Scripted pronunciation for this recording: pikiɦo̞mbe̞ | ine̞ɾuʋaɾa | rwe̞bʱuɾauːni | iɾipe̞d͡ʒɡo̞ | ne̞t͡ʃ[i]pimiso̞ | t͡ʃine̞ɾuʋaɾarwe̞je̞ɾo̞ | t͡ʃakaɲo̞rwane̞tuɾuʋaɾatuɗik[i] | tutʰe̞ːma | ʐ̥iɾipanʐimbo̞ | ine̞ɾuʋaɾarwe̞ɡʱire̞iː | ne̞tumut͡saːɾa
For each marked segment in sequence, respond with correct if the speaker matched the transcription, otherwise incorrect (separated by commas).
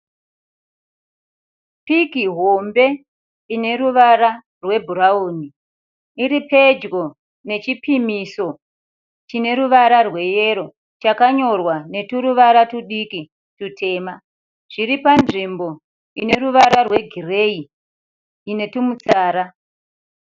correct, correct